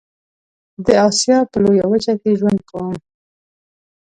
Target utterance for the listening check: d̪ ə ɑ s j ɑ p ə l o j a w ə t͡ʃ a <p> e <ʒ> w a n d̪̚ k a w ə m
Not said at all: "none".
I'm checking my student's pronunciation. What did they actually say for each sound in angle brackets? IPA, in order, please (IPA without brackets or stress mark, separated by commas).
k, ʒ